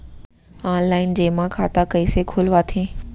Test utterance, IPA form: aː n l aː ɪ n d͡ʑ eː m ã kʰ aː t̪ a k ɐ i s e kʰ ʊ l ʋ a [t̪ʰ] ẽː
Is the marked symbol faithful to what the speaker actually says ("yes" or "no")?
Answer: yes